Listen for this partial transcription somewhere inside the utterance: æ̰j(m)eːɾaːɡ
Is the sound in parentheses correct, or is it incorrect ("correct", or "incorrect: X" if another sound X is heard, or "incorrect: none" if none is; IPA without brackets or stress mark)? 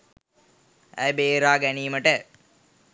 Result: incorrect: b